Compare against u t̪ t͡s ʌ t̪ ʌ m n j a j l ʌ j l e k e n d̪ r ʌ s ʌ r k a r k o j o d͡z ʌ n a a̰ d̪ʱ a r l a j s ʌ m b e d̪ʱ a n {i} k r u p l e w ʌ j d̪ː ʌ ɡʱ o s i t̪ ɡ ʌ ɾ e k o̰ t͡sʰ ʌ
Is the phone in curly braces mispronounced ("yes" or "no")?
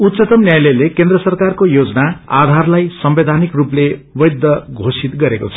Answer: no